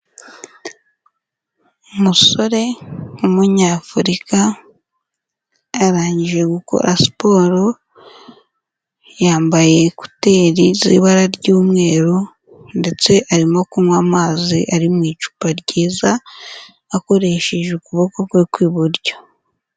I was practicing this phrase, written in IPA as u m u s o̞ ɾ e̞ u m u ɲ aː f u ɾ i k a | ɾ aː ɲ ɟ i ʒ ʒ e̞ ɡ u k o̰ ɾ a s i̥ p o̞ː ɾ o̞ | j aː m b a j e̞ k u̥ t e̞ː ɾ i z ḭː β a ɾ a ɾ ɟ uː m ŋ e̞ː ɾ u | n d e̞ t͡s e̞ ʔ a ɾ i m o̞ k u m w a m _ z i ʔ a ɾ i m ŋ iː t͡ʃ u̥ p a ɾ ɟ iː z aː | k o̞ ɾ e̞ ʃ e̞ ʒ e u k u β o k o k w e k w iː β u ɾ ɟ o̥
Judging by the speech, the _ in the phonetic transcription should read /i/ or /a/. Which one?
a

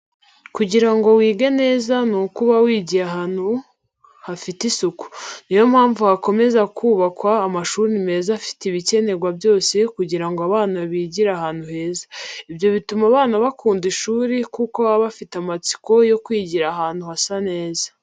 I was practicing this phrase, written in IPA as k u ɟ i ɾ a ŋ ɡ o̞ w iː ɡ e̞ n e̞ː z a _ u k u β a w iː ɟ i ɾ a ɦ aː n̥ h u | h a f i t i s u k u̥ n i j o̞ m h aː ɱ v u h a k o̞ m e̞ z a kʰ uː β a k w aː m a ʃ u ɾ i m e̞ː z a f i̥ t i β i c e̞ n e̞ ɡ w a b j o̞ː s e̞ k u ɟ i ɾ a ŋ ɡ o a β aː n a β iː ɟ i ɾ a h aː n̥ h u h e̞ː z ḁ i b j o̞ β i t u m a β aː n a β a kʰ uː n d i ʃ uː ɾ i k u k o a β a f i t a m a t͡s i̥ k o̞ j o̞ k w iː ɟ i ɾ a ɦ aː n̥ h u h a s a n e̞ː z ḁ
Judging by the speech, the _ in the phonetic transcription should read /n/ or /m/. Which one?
n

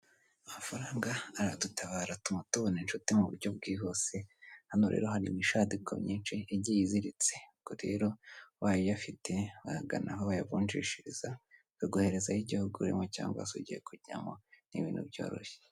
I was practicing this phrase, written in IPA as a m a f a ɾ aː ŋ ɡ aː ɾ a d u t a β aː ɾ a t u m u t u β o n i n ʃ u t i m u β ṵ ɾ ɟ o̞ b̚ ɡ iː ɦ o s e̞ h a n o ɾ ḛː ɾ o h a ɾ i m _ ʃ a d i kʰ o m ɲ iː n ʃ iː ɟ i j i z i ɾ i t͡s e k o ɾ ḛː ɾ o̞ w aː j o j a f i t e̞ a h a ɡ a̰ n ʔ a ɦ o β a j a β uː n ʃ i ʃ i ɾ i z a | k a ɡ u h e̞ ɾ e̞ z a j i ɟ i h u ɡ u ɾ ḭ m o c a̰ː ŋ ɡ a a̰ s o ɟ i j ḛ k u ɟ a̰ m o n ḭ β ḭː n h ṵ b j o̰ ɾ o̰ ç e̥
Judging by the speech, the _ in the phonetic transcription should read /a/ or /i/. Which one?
i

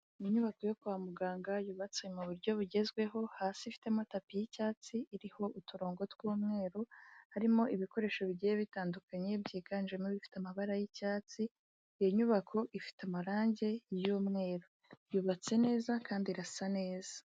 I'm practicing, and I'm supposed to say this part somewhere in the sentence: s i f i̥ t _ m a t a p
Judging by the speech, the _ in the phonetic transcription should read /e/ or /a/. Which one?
e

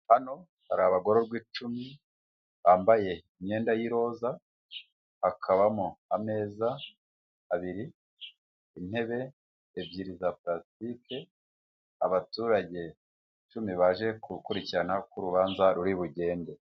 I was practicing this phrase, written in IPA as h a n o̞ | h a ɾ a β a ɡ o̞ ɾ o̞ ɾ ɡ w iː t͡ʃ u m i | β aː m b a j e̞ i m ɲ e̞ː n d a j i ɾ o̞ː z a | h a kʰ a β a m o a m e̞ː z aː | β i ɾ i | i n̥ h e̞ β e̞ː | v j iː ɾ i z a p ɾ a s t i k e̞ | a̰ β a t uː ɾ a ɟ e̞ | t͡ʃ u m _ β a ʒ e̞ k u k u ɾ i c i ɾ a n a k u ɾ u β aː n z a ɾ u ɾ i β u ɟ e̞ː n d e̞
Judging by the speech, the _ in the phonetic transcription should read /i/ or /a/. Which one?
i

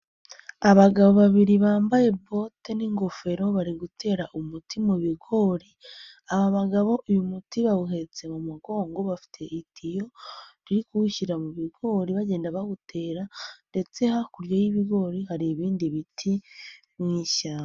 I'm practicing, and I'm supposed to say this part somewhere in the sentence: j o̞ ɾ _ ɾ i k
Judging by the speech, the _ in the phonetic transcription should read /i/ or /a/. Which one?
i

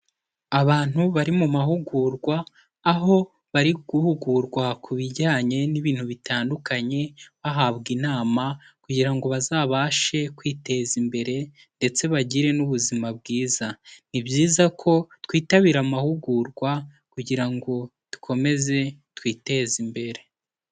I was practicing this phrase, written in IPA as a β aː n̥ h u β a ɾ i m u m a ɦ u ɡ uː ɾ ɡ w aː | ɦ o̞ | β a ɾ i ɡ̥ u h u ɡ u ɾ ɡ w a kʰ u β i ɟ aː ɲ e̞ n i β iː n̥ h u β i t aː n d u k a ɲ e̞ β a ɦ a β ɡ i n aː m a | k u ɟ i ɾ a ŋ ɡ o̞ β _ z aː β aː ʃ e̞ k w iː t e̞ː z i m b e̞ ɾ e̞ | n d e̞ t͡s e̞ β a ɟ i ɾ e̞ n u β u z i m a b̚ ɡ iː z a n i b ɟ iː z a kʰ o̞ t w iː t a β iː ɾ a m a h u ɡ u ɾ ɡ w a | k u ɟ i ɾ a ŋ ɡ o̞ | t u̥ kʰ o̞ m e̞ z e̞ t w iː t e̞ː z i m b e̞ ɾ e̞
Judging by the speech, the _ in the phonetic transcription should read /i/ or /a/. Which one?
a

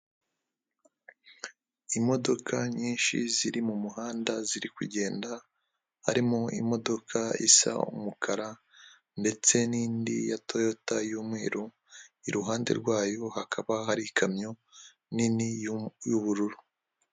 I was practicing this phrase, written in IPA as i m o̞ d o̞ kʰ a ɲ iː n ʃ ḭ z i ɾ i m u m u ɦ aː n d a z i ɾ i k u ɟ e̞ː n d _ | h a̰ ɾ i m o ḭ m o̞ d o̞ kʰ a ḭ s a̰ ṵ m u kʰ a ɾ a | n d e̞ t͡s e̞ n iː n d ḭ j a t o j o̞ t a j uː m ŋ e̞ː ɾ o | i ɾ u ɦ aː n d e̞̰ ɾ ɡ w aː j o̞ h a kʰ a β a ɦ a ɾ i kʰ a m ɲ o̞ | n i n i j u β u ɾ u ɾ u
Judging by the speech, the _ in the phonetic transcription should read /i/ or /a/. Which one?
a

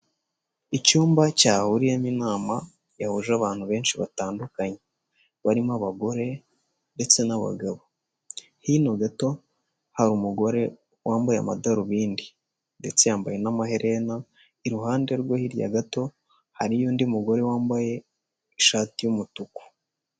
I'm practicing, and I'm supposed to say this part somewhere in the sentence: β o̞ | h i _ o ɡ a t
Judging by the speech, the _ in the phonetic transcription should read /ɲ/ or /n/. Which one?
n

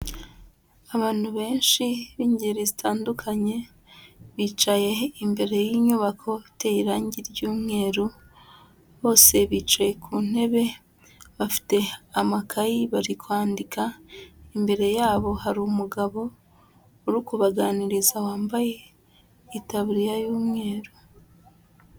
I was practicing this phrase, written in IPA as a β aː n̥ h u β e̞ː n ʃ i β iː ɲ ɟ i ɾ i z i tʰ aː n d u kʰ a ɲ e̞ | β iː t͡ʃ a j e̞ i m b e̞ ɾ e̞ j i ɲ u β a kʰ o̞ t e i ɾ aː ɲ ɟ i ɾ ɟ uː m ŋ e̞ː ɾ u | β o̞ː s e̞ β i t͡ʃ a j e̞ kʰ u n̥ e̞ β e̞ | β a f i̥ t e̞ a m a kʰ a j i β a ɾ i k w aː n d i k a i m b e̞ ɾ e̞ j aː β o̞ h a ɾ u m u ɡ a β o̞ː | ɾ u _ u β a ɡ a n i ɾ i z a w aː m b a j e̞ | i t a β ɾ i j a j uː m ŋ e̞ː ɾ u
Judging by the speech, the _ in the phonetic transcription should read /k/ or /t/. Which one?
k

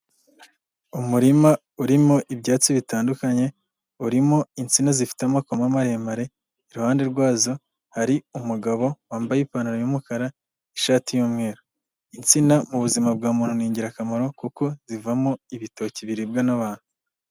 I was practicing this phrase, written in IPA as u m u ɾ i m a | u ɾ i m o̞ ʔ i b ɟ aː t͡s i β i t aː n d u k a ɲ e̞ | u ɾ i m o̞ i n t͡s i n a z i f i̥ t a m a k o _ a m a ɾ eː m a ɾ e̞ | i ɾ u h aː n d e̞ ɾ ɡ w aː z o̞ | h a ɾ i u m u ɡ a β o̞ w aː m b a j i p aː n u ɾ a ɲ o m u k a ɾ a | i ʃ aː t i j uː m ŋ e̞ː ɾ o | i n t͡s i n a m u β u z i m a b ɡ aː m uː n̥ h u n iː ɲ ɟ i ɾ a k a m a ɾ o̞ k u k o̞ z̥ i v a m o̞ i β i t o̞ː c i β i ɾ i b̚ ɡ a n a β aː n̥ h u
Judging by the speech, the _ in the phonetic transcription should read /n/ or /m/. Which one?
m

